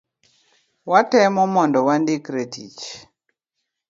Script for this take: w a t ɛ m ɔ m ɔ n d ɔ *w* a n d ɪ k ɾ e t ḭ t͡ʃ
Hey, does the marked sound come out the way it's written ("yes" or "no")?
yes